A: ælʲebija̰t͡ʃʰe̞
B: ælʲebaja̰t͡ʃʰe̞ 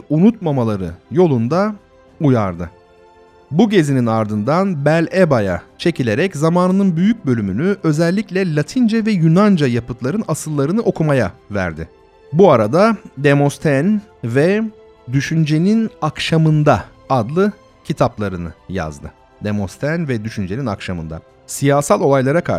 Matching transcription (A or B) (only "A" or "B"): B